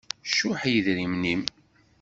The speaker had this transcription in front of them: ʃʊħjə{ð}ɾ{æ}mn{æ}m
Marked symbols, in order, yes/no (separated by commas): yes, no, no